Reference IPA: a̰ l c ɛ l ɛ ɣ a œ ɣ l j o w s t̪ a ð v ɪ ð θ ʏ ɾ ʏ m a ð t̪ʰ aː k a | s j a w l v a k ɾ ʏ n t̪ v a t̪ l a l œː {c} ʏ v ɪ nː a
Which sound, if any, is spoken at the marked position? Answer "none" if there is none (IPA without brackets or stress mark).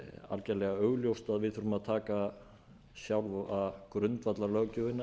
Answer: c